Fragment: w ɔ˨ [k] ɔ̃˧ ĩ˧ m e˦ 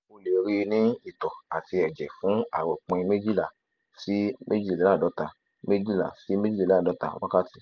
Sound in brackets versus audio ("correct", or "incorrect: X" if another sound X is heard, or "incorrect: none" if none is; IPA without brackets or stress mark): incorrect: k͡p